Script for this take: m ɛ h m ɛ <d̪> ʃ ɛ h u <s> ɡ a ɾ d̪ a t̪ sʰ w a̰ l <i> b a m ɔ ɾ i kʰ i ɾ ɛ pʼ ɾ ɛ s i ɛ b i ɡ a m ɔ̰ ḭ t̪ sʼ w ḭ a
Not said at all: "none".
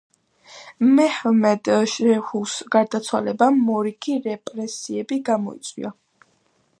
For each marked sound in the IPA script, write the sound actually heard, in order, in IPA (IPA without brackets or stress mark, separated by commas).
d̪, s, ɛ